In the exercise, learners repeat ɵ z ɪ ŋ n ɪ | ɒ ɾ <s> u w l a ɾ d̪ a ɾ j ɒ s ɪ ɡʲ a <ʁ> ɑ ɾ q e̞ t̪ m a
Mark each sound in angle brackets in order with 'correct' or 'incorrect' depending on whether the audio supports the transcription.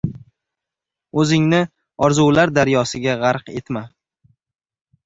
incorrect, correct

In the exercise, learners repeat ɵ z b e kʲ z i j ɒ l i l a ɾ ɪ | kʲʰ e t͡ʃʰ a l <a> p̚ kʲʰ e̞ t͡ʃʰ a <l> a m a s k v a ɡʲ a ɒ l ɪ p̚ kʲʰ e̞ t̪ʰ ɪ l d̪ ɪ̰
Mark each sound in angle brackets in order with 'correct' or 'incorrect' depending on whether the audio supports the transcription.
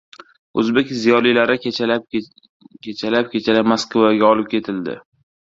correct, correct

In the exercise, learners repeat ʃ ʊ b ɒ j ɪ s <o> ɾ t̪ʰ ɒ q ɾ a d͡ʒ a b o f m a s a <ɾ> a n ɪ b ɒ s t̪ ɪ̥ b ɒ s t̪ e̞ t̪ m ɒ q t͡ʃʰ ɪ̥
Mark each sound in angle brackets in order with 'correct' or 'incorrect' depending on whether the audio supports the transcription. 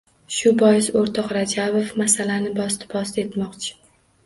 correct, incorrect

